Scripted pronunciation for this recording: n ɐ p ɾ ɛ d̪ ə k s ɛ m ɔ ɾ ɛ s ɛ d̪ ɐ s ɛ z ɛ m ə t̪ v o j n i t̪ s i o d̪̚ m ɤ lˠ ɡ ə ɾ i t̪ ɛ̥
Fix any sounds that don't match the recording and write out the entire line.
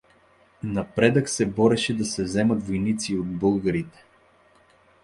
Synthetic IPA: n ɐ p ɾ ɛ d̪ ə k s ɛ b ɔ ɾ ɛ ʃ ɛ d̪ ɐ s ɛ z ɛ m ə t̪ v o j n i t̪ s i o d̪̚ b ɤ lˠ ɡ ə ɾ i t̪ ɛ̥